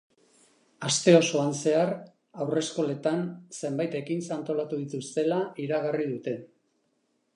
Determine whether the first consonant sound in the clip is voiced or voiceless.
voiceless